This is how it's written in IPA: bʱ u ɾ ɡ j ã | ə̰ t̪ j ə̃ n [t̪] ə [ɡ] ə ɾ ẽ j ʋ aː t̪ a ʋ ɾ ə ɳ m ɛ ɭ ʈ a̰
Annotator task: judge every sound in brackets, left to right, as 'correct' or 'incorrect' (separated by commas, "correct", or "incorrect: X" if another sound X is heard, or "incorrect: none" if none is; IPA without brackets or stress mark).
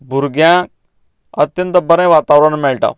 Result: correct, incorrect: b